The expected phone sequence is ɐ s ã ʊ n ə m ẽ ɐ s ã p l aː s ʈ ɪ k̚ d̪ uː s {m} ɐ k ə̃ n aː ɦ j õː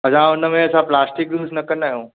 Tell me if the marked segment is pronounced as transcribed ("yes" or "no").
no